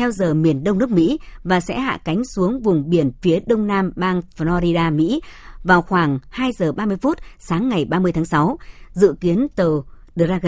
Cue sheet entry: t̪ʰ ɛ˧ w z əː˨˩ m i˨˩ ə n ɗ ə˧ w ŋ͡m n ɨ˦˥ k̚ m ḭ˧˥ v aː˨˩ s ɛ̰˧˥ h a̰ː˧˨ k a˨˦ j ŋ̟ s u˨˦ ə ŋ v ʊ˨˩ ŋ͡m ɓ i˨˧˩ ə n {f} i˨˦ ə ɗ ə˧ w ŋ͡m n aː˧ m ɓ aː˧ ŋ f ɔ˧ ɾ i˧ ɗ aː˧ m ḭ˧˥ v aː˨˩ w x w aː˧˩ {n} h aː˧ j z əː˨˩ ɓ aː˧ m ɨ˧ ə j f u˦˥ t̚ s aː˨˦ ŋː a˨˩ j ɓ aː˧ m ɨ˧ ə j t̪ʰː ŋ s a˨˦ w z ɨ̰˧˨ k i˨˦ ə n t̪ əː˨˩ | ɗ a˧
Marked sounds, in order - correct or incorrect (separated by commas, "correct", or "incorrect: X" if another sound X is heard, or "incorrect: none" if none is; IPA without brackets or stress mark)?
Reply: correct, incorrect: ŋ